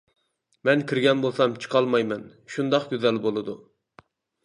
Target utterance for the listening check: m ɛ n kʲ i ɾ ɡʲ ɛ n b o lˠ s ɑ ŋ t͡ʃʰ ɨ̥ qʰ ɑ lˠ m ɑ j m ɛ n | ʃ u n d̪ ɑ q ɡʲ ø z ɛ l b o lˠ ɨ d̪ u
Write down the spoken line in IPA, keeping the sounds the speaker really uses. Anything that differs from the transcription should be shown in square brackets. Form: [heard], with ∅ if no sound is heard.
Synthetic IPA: m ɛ n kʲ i ɾ ɡʲ ɛ n b o lˠ s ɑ [m] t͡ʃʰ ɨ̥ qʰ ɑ lˠ m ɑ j m ɛ n | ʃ u n d̪ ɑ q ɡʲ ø z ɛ l b o lˠ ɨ d̪ u